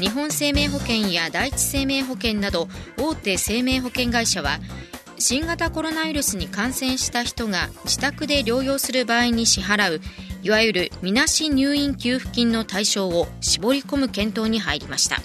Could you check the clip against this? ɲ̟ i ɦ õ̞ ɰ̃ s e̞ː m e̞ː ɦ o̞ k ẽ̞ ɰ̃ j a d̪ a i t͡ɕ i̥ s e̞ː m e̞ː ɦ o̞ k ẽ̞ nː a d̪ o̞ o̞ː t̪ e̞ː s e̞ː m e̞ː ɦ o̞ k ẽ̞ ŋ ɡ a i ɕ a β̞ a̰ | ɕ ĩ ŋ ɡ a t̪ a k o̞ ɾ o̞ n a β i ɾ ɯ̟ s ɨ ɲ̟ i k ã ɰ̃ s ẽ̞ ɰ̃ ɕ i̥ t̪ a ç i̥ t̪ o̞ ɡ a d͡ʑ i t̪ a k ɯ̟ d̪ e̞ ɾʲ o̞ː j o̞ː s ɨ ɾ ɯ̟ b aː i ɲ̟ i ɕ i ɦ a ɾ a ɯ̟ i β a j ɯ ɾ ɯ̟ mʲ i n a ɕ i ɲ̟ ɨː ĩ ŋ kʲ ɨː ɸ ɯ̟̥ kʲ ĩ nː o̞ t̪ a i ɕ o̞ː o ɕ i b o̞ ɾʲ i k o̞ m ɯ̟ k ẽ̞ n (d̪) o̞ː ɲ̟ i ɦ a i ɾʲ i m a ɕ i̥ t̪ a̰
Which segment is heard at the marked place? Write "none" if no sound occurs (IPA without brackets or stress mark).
t̪